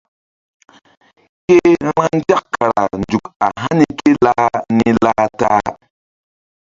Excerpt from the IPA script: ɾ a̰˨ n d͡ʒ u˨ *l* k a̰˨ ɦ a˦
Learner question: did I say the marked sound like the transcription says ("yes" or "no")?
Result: no